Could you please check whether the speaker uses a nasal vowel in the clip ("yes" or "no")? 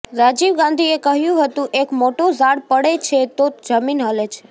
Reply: yes